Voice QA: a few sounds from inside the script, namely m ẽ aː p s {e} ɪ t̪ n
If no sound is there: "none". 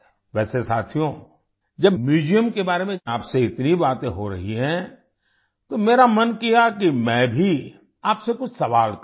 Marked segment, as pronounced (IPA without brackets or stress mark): e